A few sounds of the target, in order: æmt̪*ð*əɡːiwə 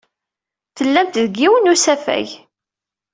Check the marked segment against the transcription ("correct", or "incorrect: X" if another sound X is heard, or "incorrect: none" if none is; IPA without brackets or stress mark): correct